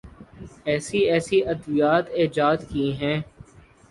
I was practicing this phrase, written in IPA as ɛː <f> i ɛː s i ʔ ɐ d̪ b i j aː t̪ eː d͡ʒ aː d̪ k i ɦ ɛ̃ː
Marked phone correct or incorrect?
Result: incorrect